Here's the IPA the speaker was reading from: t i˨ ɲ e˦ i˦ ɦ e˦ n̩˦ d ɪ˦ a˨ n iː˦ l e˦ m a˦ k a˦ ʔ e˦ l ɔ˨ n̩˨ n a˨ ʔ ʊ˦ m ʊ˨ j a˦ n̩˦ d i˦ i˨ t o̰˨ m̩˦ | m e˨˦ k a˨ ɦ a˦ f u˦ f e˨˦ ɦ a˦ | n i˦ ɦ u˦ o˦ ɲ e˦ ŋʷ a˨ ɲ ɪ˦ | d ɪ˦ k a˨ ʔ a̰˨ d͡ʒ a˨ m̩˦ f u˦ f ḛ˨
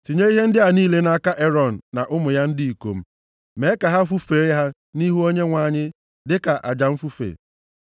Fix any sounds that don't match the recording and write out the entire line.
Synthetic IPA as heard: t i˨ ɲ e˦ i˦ ɦ e˦ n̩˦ d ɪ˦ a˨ n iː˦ l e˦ n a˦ k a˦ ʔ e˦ ɾ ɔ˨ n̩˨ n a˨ ʔ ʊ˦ m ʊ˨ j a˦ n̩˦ d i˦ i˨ k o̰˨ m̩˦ | m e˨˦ k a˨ ɦ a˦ f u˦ f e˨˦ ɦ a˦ | n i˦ ɦ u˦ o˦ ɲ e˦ ŋʷ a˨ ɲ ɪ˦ | d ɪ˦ k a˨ ʔ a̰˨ d͡ʒ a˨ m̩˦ f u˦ f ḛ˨

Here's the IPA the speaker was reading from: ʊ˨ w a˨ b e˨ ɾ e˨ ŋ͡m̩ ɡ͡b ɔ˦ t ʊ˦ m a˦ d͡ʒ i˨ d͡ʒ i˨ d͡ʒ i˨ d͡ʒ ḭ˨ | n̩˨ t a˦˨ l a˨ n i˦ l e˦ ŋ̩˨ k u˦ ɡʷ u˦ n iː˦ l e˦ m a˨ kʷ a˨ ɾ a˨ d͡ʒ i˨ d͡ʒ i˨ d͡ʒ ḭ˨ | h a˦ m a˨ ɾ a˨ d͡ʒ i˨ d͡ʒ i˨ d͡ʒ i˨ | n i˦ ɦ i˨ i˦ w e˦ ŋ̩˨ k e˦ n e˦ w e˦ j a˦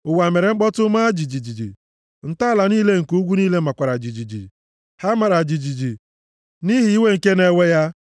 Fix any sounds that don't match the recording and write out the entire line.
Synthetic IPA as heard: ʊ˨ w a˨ m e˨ ɾ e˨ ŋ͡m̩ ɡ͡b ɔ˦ t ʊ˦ m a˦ d͡ʒ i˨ d͡ʒ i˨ d͡ʒ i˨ d͡ʒ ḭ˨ | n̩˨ t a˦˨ l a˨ n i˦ l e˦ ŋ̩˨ k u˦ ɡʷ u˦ n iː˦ l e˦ m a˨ kʷ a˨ ɾ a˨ d͡ʒ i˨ d͡ʒ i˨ d͡ʒ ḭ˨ | h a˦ m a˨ ɾ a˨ d͡ʒ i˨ d͡ʒ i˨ d͡ʒ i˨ | n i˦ ɦ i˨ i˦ w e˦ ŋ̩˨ k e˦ n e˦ w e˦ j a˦

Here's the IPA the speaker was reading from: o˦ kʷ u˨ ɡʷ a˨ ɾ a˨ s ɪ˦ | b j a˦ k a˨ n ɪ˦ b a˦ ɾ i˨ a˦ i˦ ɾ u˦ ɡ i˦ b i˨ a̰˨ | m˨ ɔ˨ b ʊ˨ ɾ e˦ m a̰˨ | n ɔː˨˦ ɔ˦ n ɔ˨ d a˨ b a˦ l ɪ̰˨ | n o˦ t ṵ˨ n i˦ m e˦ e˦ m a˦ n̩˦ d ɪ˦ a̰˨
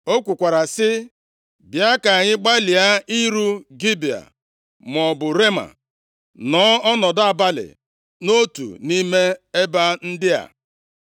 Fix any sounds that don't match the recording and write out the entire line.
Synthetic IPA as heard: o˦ kʷ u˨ kʷ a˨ ɾ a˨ s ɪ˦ | b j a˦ k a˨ ɲ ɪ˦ ɡ͡b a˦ l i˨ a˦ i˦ ɾ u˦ ɡ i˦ b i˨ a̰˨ | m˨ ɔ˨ b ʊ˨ ɾ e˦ m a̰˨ | n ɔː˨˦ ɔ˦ n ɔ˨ d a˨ b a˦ l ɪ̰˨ | n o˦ t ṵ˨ n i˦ m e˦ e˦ b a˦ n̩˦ d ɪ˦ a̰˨

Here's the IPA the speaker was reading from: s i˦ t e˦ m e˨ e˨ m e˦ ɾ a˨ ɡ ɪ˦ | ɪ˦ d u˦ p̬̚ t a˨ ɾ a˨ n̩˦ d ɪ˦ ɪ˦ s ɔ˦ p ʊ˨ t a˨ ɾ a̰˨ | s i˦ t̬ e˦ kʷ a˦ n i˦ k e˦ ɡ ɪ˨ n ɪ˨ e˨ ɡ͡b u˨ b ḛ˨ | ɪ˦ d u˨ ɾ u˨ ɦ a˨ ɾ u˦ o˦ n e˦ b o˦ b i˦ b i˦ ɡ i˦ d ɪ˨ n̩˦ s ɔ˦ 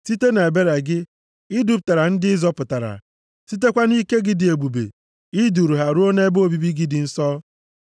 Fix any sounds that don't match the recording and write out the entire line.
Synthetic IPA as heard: s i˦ t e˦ n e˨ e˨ b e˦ ɾ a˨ ɡ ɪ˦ | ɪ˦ d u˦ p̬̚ t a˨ ɾ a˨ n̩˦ d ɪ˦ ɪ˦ z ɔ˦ p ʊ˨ t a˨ ɾ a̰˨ | s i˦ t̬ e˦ kʷ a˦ n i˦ k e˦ ɡ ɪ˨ d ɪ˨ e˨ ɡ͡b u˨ b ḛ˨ | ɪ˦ d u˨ ɾ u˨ ɦ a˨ ɾ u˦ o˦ n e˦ b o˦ b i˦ b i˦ ɡ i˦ d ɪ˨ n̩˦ s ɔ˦

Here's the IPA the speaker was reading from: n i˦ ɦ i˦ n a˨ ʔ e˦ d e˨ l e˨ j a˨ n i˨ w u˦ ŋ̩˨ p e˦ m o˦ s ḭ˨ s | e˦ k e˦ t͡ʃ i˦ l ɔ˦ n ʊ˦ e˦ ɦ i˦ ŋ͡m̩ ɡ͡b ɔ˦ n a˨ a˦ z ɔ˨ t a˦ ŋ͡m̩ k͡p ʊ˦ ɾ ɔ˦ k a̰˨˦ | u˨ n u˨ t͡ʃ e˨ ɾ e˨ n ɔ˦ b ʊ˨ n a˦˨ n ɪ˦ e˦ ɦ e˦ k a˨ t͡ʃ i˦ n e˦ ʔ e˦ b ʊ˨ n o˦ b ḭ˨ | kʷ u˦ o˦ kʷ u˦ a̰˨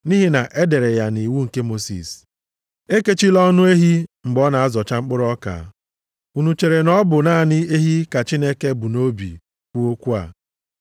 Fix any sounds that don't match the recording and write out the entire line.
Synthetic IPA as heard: n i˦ ɦ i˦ n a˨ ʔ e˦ d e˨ ɾ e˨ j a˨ n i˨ w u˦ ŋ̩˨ k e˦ m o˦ s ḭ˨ s | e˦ k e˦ t͡ʃ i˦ l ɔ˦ n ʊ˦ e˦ ɦ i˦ ŋ͡m̩ ɡ͡b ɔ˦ n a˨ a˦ z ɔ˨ t͡ʃ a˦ ŋ͡m̩ k͡p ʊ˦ ɾ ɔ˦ k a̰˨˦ | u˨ n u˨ t͡ʃ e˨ ɾ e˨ n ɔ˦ b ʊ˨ n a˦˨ n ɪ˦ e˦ ɦ i˦ k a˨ t͡ʃ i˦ n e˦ k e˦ b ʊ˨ n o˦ b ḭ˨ | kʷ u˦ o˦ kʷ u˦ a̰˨

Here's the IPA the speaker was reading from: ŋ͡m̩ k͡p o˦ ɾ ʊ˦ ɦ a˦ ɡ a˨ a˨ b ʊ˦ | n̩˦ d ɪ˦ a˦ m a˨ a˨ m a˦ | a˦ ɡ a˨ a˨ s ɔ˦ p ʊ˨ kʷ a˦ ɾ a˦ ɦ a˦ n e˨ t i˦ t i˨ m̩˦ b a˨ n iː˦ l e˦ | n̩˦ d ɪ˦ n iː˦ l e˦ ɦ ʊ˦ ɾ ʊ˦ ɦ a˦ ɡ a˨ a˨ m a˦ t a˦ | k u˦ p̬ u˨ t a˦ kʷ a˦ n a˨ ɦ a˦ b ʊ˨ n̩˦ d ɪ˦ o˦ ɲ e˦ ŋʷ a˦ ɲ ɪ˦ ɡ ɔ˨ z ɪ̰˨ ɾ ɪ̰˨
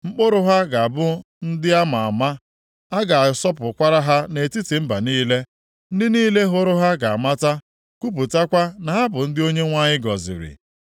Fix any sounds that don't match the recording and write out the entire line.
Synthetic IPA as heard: ŋ͡m̩ k͡p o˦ ɾ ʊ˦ ɦ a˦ ɡ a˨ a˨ b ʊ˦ | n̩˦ d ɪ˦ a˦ m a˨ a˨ m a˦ | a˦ ɡ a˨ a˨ s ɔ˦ p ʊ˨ kʷ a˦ ɾ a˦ ɦ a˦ n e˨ t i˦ t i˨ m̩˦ b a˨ n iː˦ l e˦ | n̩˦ d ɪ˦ n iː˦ l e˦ ɦ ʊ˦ ɾ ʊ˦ ɦ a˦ ɡ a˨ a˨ m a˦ t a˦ | k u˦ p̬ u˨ t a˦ kʷ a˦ n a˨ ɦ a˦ b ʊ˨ n̩˦ d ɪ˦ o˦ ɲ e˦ ŋʷ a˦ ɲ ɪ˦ ɡ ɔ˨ z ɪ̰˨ ɾ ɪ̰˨

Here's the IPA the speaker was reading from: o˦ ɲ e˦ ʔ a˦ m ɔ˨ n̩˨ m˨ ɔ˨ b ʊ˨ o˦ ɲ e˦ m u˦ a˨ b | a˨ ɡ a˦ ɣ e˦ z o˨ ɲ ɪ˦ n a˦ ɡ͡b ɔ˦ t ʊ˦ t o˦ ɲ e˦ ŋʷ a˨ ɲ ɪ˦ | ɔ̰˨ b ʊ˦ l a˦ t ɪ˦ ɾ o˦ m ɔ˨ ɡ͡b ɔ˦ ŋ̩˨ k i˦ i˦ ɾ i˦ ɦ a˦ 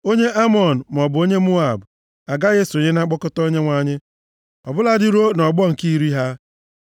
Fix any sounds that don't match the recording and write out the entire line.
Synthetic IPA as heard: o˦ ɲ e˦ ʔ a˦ m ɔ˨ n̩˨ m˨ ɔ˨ b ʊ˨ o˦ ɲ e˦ m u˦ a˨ b | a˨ ɡ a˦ ɣ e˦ s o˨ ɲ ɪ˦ n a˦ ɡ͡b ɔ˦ k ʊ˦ t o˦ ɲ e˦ ŋʷ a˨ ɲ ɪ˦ | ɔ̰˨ b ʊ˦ l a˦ d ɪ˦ ɾ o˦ n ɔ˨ ɡ͡b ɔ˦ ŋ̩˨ k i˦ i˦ ɾ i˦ ɦ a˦

